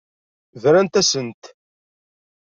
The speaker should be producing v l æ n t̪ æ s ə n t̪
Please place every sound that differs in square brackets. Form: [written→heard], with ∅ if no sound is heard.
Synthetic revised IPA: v [l→ɾ] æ n t̪ æ s ə n t̪